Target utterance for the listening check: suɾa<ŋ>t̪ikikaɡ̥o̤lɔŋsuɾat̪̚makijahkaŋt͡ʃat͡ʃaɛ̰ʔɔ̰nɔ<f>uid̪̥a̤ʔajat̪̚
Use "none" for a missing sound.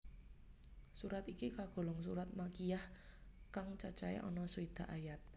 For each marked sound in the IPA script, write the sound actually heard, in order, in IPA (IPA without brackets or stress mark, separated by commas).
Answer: none, s